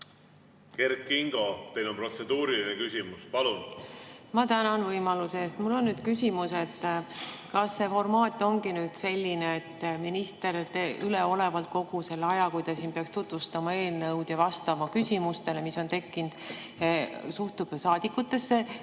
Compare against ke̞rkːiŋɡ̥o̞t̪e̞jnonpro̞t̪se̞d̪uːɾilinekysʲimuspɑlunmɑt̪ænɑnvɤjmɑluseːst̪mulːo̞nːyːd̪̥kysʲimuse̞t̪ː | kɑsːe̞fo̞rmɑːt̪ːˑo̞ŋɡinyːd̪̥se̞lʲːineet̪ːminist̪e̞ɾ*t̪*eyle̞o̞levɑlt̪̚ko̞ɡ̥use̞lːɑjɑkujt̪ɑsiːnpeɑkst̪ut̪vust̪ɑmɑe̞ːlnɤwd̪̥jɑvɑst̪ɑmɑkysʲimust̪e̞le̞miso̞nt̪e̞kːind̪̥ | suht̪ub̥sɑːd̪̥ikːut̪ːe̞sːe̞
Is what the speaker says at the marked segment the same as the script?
yes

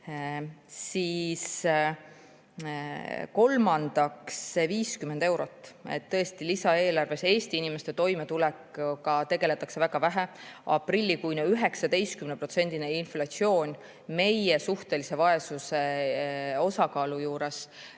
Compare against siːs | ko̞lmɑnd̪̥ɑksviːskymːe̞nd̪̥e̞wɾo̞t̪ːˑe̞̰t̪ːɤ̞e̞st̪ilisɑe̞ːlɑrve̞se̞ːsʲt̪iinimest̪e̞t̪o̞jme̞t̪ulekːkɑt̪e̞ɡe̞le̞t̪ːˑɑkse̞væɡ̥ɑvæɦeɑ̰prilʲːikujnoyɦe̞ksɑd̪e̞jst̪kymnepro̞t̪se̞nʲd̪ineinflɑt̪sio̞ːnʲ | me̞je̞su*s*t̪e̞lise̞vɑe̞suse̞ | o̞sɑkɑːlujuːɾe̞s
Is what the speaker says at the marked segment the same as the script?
no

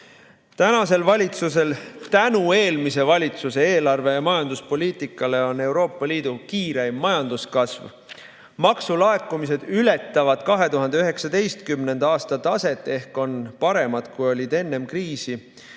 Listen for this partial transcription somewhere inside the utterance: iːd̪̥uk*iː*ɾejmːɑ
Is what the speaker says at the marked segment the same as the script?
yes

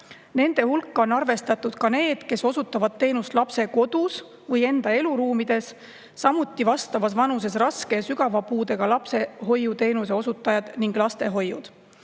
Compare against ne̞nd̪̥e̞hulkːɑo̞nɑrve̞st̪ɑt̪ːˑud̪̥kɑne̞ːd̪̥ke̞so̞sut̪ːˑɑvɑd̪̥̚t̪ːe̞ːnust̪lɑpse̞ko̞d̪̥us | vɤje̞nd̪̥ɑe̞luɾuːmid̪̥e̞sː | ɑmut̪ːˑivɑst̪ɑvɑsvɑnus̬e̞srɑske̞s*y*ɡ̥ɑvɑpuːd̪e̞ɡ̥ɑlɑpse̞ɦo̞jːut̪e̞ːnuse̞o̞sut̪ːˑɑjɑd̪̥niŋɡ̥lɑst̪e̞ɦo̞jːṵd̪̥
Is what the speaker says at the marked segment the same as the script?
yes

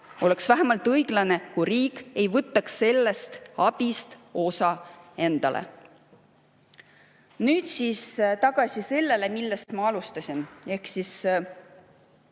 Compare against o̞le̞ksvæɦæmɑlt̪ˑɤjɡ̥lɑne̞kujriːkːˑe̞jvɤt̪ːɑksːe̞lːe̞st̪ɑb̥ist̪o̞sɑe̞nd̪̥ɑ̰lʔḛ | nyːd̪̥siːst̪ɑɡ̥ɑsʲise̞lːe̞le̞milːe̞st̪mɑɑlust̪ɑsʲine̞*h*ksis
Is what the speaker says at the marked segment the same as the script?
yes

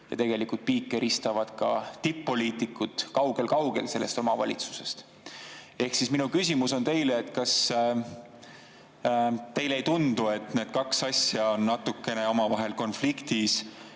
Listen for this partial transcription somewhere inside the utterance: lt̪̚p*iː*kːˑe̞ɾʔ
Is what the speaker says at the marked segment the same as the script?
yes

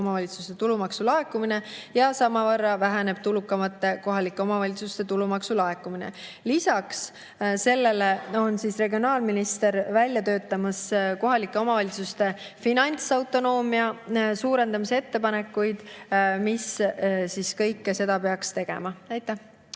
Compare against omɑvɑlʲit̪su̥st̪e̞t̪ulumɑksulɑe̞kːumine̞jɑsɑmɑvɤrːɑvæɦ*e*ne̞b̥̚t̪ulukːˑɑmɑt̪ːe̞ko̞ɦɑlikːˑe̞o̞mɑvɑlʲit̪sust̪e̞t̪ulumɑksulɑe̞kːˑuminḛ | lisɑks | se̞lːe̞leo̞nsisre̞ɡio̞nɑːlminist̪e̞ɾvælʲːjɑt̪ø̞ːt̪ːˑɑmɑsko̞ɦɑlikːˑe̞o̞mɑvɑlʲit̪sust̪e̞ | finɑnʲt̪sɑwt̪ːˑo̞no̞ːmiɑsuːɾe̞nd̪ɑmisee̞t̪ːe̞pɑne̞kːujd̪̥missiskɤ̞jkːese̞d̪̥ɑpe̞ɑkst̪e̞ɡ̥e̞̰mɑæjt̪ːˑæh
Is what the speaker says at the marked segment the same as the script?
no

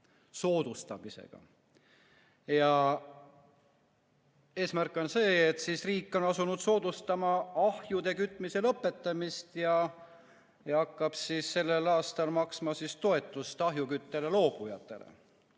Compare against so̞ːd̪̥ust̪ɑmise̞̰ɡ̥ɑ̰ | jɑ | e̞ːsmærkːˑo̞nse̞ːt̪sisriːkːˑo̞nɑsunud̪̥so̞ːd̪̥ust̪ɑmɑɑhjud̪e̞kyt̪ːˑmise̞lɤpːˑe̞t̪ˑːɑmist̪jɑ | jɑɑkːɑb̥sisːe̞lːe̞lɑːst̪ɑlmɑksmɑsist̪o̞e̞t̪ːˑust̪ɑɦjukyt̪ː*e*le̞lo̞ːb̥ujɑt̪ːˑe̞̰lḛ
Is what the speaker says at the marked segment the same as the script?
yes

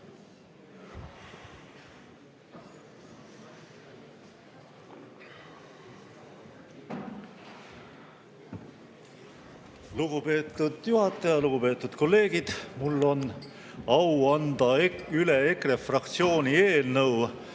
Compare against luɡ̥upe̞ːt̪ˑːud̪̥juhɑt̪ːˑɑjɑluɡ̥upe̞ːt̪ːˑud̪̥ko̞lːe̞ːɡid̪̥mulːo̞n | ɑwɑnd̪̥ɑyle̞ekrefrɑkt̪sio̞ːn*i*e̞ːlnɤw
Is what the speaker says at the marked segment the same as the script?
yes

